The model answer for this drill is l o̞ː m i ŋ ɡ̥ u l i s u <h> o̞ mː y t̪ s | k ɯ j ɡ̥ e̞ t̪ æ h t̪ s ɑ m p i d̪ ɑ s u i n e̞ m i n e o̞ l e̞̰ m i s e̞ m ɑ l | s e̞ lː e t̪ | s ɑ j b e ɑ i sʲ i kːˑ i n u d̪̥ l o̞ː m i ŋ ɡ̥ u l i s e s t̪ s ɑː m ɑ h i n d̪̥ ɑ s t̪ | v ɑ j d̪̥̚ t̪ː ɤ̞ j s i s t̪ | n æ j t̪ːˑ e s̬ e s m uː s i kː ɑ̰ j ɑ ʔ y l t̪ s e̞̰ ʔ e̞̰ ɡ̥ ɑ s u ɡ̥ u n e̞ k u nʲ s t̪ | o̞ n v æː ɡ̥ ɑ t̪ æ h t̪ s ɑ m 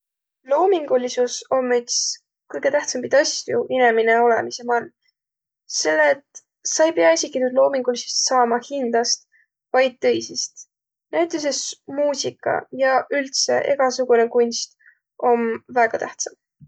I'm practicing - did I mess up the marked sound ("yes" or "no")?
yes